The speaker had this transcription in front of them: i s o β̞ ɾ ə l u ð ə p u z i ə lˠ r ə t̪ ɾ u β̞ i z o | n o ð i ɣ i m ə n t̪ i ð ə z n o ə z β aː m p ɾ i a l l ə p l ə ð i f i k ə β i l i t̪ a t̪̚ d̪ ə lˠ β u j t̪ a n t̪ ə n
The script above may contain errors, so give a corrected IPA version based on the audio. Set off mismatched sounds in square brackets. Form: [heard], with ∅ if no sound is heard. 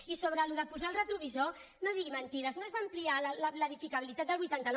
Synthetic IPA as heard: i s o β̞ ɾ ə l u ð ə p u z [a] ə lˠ r ə t̪ ɾ u β̞ i z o | n o ð i ɣ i m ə n t̪ i ð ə z n o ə z β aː m p [l] i a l l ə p l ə ð i f i k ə β i l i t̪ a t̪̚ d̪ ə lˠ β u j t̪ a n t̪ ə n